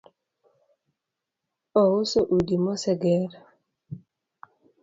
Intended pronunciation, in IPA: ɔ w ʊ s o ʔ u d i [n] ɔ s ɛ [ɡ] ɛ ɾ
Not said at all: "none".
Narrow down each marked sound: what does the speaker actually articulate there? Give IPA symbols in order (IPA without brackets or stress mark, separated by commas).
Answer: m, ɡ